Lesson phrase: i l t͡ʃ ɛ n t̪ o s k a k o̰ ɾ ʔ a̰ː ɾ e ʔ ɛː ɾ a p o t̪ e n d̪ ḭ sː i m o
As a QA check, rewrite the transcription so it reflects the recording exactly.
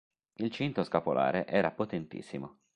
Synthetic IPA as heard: i l t͡ʃ i n t̪ o s k a p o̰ l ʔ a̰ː ɾ e ʔ ɛː ɾ a p o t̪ e n t̪ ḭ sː i m o